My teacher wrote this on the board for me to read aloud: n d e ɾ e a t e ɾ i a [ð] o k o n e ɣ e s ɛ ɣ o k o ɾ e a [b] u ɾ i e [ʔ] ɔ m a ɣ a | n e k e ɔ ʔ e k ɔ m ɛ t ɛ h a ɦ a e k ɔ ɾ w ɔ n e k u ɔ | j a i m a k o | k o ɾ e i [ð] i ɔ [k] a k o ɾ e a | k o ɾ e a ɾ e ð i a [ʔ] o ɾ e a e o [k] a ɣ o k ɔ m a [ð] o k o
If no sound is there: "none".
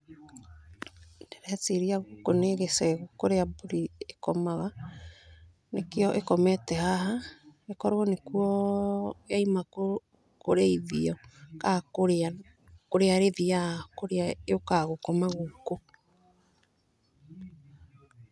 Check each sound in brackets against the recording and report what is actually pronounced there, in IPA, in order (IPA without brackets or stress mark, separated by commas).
ɣ, b, k, ð, k, k, k, ɣ